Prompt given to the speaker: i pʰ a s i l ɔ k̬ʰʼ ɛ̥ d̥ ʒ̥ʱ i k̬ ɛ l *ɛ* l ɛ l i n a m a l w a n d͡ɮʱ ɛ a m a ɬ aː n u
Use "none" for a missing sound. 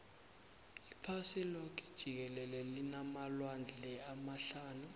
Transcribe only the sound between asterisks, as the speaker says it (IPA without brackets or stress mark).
ɛ